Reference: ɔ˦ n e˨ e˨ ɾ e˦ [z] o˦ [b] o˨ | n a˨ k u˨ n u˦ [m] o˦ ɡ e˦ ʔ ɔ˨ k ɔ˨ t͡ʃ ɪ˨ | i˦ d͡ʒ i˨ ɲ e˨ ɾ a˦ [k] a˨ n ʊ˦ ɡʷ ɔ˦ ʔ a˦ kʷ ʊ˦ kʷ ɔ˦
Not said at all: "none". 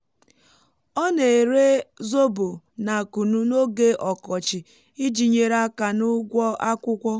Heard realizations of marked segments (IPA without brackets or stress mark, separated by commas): z, b, n, k